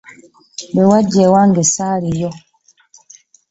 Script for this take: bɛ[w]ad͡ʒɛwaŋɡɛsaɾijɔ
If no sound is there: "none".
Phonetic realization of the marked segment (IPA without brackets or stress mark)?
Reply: w